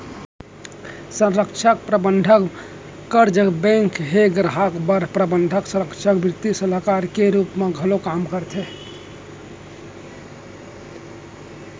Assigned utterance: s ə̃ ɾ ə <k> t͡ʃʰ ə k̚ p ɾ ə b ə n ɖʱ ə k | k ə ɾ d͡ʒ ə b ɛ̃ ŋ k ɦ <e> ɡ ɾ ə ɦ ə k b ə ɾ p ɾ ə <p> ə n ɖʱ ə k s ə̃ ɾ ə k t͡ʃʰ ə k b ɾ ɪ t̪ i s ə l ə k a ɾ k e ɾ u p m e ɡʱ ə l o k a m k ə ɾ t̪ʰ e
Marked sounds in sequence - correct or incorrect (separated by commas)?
correct, correct, incorrect